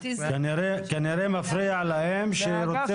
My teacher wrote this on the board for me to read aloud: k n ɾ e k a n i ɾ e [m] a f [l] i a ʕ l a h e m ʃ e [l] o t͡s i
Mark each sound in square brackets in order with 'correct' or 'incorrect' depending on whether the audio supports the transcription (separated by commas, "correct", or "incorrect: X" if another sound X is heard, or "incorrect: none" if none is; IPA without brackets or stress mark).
correct, incorrect: ɾ, incorrect: ɾ